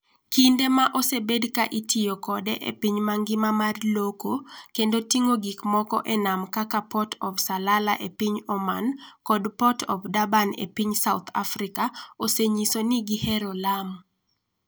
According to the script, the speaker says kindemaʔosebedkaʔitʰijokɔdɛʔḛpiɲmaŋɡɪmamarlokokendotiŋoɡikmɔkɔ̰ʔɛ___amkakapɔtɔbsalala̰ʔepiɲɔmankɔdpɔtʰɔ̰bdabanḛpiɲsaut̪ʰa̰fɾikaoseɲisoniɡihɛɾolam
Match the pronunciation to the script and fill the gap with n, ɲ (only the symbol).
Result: n